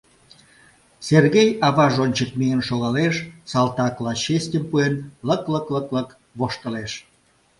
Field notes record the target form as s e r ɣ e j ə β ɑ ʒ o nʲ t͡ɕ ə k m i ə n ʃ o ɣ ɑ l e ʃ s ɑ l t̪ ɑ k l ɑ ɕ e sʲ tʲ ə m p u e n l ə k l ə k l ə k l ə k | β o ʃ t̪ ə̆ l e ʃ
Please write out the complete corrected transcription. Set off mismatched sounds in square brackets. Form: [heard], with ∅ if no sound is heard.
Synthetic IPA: s e r ɣ e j [ɑ] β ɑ ʒ o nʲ t͡ɕ ə k m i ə n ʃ o ɣ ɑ l e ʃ s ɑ l t̪ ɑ k l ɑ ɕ e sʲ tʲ ə m p u e n l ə k l ə k l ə k l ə k | β o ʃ t̪ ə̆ l e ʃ